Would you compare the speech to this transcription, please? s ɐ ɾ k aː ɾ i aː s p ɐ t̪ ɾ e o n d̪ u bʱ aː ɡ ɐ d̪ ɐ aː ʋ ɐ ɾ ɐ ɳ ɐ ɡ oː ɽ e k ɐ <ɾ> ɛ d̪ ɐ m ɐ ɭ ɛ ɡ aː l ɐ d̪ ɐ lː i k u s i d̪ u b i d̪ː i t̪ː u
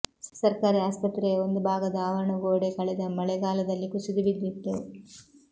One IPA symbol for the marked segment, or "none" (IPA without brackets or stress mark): ɭ